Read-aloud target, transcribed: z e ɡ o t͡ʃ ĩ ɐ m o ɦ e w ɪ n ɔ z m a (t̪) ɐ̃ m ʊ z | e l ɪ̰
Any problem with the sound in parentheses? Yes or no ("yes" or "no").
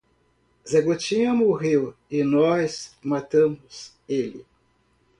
no